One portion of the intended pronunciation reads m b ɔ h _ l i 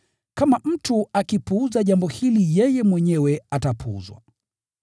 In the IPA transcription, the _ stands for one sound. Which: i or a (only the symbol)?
i